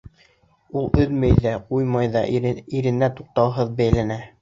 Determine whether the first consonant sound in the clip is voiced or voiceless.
voiced